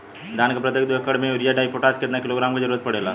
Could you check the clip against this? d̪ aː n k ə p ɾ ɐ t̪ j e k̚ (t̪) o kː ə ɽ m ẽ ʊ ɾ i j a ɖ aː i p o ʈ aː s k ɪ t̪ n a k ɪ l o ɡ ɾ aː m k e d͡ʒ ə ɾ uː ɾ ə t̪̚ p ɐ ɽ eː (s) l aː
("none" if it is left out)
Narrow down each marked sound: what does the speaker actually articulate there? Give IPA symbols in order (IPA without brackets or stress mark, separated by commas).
d̪, none